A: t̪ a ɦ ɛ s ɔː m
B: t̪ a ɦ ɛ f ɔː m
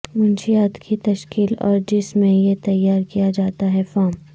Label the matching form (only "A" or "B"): B